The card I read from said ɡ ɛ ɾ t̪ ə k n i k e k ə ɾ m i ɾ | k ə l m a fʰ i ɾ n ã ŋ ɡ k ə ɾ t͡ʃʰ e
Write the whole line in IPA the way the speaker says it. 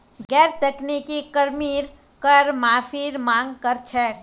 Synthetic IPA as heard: ɡ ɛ ɾ t̪ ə k n i k i k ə ɾ m i ɾ | k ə ɾ m a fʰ i ɾ m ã ŋ ɡ k ə ɾ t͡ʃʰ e